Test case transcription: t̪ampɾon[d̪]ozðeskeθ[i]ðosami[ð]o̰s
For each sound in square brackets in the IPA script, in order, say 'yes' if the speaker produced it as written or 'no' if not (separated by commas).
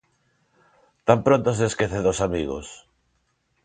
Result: no, no, no